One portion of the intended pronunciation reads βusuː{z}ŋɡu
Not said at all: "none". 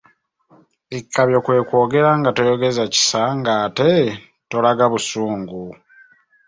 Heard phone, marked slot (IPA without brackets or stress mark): none